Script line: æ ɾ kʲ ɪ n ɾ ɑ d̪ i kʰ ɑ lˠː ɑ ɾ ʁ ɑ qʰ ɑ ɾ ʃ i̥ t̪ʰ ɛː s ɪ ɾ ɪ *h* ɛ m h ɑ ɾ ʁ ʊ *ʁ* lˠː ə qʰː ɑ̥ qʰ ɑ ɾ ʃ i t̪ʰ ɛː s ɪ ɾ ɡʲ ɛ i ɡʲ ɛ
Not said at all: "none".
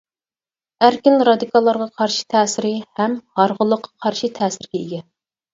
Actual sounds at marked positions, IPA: h, none

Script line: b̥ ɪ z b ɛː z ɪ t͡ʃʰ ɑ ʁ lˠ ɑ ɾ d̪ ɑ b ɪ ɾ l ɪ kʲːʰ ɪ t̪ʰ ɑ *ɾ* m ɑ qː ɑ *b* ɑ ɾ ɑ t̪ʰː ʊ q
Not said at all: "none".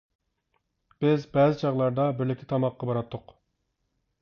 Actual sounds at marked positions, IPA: none, b

